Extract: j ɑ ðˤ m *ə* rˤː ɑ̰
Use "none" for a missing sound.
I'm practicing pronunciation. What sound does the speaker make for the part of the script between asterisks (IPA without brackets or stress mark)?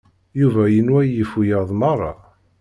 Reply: ɑ